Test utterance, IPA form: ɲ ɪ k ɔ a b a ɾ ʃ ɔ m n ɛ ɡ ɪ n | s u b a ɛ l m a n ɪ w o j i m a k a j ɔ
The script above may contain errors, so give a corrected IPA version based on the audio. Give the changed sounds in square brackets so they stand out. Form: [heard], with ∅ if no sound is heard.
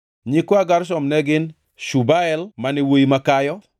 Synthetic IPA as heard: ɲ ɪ k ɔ a [ɡ] a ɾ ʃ ɔ m n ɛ ɡ ɪ n | [ʃ] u b a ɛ l m a n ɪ w o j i m a k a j ɔ